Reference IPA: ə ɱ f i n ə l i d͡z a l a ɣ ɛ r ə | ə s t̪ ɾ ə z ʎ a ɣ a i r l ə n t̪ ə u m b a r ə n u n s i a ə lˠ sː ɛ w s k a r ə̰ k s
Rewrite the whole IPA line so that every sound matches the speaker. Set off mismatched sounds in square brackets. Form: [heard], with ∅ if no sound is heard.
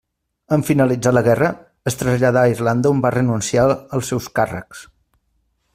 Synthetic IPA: ə ɱ f i n ə l i d͡z a l [ə] ɣ ɛ r ə | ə s t̪ ɾ ə z ʎ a [ð] a i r l [a] n [d̪] ə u m b a r ə n u n s i a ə lˠ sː ɛ w s k a r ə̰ k s